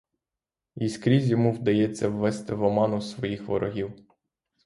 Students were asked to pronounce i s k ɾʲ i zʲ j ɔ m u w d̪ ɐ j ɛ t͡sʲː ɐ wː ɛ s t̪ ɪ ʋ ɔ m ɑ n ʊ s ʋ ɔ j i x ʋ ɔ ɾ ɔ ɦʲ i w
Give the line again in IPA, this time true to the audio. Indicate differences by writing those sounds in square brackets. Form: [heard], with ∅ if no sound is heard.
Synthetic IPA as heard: i s k ɾʲ i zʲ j ɔ m u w d̪ ɐ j ɛ t͡sʲː ɐ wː ɛ s t̪ ɪ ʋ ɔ m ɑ n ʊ s ʋ ɔ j i x ʋ ɔ ɾ ɔ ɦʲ i w

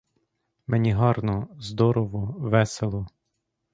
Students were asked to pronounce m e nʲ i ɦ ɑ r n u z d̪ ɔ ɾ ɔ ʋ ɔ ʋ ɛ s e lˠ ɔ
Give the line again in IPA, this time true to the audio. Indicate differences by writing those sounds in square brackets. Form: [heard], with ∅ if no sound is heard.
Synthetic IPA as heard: m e nʲ i ɦ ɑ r n [ɔ] z d̪ ɔ ɾ ɔ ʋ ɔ ʋ ɛ s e lˠ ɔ

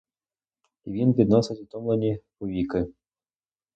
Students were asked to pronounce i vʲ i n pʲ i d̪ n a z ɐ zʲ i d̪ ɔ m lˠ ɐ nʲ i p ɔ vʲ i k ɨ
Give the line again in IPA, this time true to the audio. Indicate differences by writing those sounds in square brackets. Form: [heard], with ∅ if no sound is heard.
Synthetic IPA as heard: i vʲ i n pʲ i d̪ n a [s] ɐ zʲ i [t̪] ɔ m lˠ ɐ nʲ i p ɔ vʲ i k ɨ

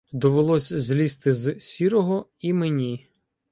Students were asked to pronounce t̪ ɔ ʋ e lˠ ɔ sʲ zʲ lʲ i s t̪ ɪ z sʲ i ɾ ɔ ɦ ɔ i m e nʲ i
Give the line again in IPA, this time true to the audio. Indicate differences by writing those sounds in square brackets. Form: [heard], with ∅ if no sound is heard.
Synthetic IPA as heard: [d̪] ɔ ʋ e lˠ ɔ sʲ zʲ lʲ i s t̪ ɪ z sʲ i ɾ ɔ ɦ ɔ i m e nʲ i

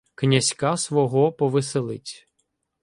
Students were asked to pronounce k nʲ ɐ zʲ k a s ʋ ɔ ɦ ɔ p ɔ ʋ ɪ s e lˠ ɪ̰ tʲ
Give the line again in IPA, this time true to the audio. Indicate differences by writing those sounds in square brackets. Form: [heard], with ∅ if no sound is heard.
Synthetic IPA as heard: k nʲ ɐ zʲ k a s ʋ ɔ ɦ ɔ p ɔ ʋ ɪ s e lˠ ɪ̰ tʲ

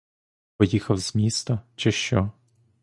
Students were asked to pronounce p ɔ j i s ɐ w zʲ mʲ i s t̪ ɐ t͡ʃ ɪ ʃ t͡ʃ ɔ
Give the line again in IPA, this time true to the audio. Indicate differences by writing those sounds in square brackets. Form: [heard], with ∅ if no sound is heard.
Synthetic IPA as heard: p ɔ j i [x] ɐ w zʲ mʲ i s t̪ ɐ t͡ʃ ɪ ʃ t͡ʃ ɔ

